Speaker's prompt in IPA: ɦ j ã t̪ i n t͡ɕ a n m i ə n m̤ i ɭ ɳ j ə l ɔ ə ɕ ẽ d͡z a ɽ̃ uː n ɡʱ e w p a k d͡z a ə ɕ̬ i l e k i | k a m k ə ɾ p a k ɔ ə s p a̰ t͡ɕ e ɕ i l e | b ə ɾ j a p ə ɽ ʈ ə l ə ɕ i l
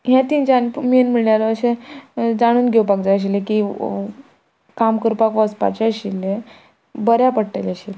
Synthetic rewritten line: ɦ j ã t̪ i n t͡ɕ a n m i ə n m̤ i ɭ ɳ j a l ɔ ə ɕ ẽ d͡z a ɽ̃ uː n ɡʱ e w p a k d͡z a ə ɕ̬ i l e k i | k a m k ə ɾ p a k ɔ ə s p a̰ t͡ɕ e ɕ i l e | b ə ɾ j a p ə ɽ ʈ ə l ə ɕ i l